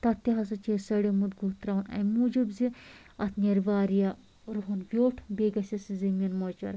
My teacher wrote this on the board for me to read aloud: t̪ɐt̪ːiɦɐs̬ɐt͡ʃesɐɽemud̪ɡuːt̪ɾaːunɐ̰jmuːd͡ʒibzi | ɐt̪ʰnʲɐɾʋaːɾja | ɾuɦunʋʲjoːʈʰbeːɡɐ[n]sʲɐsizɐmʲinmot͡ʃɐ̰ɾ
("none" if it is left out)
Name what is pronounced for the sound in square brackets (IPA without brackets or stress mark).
none